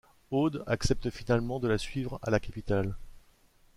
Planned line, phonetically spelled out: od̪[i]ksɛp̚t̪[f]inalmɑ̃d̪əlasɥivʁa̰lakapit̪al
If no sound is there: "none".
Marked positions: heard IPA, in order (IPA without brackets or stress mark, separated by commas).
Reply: a, f